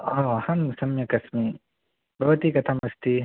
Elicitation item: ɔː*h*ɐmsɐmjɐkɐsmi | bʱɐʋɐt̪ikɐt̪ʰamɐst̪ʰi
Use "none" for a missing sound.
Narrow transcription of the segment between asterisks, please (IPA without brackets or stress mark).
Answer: h